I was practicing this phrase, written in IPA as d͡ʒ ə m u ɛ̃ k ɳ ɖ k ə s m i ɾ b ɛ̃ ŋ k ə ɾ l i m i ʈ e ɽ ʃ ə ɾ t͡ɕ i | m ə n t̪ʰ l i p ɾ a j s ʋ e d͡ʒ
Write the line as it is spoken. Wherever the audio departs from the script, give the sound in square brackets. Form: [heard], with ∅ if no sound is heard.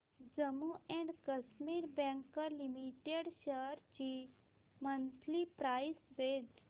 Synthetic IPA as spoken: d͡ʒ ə m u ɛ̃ [∅] ɳ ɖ k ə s m i ɾ b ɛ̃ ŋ k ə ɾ l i m i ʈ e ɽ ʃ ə ɾ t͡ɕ i | m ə n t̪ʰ l i p ɾ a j s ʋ e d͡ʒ